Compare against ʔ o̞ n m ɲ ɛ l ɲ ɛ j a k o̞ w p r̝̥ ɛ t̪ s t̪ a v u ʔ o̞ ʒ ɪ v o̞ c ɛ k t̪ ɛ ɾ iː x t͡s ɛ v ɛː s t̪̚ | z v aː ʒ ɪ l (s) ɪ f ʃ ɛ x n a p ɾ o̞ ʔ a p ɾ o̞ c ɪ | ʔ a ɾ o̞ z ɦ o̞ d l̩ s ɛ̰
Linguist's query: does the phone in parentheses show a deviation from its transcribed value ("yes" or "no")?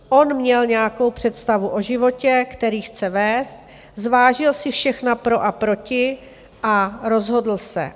no